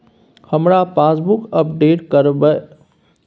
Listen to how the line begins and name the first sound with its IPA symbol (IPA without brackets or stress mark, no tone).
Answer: h